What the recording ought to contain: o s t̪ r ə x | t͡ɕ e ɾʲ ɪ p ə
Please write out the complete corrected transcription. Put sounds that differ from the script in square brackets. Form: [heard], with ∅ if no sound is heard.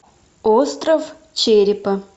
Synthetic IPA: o s t̪ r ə [f] | t͡ɕ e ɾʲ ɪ p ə